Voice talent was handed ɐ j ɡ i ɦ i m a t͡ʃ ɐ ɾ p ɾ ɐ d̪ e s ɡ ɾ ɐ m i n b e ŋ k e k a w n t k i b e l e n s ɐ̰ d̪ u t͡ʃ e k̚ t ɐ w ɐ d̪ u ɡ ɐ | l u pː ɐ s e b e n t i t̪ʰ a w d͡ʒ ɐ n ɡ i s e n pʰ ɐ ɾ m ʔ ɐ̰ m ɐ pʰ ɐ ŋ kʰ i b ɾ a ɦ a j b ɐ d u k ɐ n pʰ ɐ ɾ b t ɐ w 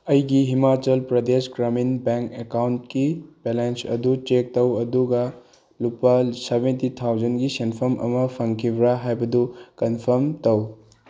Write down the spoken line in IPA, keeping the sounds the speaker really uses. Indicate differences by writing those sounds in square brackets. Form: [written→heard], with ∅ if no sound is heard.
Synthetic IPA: ɐ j ɡ i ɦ i m a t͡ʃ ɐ [ɾ→l] p ɾ ɐ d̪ e s ɡ ɾ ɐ m i n b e ŋ k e k a w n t k i b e l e n s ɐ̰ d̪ u t͡ʃ e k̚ t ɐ w ɐ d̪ u ɡ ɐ | l u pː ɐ s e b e n t i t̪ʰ a w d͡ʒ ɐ n ɡ i s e n pʰ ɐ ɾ m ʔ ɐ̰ m ɐ pʰ ɐ ŋ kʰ i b ɾ a ɦ a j b ɐ d u k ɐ n pʰ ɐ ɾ [b→m] t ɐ w